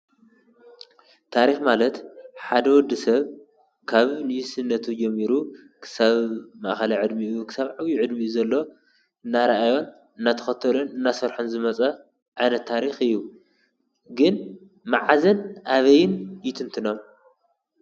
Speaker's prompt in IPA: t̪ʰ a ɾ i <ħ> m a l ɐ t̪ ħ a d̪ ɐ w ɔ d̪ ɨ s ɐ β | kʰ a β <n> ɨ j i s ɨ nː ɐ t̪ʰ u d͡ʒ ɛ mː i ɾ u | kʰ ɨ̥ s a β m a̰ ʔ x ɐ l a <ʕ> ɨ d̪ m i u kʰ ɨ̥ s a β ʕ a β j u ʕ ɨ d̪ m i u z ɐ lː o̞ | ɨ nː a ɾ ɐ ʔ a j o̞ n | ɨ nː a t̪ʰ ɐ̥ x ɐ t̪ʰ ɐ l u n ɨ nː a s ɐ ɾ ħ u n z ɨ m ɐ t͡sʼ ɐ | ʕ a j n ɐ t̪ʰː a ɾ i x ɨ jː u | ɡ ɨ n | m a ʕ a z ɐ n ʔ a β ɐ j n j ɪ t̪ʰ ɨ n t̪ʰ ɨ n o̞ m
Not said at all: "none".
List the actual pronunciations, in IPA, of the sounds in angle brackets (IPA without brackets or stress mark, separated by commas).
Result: x, n, ʕ